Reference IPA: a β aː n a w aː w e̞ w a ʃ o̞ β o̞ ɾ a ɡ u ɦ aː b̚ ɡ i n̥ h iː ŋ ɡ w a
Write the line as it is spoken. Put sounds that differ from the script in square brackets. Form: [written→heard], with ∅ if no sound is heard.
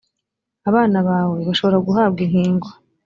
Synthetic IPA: a β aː n a [w→β] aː w e̞ [w→β] a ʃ o̞ β o̞ ɾ a ɡ u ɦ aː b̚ ɡ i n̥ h iː ŋ ɡ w a